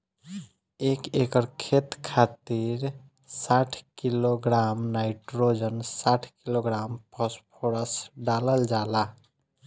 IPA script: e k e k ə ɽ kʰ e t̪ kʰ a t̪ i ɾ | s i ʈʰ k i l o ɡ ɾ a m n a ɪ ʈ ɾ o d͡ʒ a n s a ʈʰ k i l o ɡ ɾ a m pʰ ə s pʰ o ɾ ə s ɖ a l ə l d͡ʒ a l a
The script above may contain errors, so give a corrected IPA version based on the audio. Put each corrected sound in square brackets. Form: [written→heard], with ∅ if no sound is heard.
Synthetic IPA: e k e k ə [ɽ→ɾ] kʰ e t̪ kʰ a t̪ i ɾ | s [i→a] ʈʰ k i l o ɡ ɾ a m n a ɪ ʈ ɾ o d͡ʒ [a→ə] n s a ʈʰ k i l o ɡ ɾ a m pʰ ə s pʰ o ɾ ə s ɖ a l ə l d͡ʒ a l a